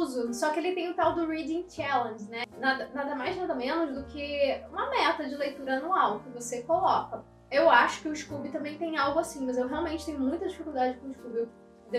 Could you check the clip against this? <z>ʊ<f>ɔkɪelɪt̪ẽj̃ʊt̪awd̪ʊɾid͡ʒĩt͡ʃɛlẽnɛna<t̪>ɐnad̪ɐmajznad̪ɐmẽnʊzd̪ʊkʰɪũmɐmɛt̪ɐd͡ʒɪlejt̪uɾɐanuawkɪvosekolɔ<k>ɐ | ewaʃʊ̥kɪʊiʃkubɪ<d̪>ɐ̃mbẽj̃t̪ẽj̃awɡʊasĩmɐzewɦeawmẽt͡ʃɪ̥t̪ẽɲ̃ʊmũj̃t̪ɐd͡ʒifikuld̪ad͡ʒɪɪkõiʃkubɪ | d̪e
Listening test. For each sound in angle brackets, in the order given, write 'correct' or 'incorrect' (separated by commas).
correct, incorrect, incorrect, correct, incorrect